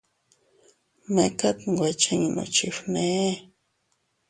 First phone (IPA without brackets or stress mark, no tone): m